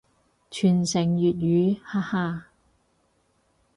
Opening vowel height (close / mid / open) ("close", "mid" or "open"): close